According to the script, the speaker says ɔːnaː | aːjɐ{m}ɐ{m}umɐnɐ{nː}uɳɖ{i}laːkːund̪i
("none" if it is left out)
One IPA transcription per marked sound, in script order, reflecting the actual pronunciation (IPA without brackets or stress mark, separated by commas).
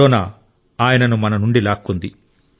n, n, n, i